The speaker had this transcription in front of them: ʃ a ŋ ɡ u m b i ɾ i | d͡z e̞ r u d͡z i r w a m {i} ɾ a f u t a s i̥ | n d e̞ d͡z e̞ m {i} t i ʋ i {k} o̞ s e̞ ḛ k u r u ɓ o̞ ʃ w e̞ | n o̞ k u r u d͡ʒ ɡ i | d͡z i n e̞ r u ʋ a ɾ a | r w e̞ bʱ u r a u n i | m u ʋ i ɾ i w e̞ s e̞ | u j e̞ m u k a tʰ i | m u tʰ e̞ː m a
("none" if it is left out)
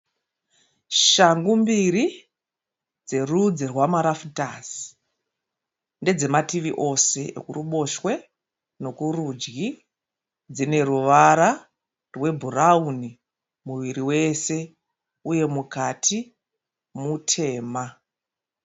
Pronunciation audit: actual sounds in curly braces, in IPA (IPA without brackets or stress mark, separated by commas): a, a, ʔ